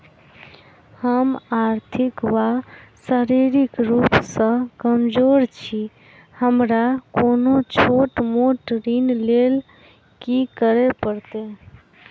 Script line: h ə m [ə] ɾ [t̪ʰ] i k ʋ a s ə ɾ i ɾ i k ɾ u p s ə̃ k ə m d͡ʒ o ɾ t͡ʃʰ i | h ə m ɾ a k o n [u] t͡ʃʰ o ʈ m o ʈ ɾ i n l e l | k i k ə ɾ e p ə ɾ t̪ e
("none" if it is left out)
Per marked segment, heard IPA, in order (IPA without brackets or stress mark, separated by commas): a, t̪ʰ, o